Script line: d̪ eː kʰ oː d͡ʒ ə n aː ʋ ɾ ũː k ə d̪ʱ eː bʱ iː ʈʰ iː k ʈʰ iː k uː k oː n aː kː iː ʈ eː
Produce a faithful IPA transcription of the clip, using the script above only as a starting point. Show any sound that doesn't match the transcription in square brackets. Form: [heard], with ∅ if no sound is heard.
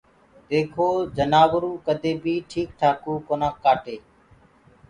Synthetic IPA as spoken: d̪ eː kʰ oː d͡ʒ ə n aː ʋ ɾ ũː k ə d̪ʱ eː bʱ iː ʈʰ iː k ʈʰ [aː] k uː k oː n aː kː [aː] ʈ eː